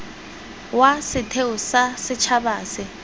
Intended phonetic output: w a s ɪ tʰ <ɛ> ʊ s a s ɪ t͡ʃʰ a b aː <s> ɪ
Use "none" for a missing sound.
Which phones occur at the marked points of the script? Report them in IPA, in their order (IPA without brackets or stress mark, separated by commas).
e, s